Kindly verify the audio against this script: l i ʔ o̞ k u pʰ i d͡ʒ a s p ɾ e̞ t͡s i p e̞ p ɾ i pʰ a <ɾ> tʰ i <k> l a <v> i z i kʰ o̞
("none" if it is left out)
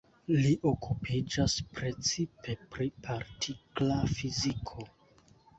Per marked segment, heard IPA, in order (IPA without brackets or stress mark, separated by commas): ɾ, k, f